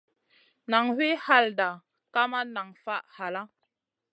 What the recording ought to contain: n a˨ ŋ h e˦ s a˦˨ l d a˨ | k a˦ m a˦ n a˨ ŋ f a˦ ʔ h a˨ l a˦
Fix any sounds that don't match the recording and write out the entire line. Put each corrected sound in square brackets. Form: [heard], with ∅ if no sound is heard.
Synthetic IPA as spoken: n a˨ ŋ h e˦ [h] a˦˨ l d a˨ | k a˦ m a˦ n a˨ ŋ f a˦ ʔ h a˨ l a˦